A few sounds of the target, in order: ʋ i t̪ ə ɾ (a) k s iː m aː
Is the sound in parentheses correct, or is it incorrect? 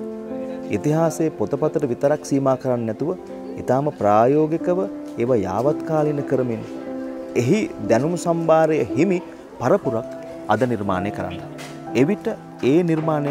correct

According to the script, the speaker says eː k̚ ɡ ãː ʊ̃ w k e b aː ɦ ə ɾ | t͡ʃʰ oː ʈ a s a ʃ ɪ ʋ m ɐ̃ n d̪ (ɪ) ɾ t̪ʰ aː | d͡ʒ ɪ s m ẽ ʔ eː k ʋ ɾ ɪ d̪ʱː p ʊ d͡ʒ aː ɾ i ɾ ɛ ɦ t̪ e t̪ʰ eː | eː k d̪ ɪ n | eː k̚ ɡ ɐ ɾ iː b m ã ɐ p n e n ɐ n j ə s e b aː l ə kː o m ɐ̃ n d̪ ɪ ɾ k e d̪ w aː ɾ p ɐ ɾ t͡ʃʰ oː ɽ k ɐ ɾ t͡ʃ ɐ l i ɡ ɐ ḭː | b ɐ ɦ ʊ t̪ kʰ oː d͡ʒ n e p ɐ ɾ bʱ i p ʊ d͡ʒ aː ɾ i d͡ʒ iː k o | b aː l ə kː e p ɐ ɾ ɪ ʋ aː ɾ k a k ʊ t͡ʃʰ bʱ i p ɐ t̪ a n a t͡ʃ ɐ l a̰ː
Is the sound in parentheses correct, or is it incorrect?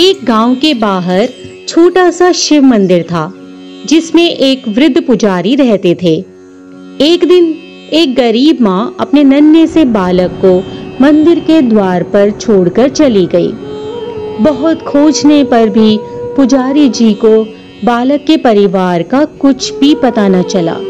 correct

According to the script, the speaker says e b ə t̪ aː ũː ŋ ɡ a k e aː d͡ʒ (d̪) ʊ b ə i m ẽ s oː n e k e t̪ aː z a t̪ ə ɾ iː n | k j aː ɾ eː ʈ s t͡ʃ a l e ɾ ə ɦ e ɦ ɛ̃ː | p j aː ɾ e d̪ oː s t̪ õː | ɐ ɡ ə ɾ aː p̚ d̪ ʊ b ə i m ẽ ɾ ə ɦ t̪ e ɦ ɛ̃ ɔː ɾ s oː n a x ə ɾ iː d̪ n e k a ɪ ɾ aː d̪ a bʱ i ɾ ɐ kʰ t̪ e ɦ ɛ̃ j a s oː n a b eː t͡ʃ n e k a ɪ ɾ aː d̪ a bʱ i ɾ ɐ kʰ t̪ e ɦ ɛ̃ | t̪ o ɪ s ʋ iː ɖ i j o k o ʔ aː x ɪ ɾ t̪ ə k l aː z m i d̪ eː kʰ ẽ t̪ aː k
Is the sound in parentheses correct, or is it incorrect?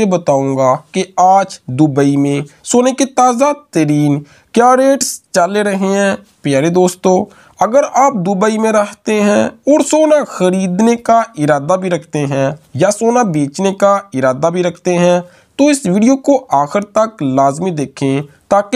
correct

